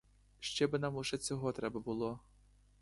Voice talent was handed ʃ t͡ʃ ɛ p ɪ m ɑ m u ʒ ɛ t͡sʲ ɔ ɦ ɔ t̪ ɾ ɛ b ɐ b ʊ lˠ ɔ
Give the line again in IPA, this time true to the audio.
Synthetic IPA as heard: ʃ t͡ʃ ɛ b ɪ n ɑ m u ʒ ɛ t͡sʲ ɔ ɦ ɔ t̪ ɾ ɛ b ɐ b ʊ lˠ ɔ